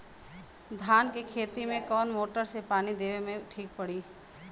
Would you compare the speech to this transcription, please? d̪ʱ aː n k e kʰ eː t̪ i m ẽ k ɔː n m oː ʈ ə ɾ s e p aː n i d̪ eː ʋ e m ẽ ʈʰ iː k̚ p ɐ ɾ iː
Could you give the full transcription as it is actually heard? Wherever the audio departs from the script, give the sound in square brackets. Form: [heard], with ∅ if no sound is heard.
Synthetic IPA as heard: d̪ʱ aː n k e kʰ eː t̪ i m ẽ k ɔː n m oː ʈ ə ɾ s e p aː n i d̪ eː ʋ e m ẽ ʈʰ iː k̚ p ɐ [ɽ] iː